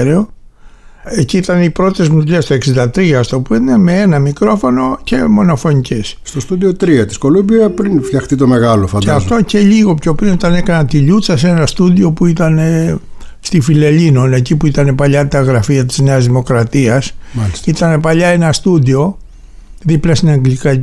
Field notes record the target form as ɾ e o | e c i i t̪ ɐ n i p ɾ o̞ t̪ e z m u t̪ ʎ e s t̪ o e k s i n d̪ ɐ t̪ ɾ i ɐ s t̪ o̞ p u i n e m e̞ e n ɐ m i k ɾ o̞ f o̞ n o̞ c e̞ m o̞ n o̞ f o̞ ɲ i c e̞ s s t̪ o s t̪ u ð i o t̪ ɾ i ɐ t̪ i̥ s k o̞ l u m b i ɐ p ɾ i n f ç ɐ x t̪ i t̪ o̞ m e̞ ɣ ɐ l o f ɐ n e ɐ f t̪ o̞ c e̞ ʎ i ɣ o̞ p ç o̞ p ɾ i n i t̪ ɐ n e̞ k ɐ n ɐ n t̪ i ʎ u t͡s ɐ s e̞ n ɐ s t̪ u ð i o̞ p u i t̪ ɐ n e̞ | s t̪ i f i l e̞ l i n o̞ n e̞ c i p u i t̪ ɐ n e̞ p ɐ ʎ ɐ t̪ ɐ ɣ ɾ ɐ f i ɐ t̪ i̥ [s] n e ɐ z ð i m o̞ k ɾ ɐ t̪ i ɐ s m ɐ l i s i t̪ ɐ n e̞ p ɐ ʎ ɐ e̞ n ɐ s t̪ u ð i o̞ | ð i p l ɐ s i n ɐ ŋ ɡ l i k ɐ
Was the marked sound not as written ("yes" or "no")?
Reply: yes